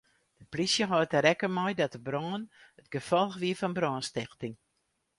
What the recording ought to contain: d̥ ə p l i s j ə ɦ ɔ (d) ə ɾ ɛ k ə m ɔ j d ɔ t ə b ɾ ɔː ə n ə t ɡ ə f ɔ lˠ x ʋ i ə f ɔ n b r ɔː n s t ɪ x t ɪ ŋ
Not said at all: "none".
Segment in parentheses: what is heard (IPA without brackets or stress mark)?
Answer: t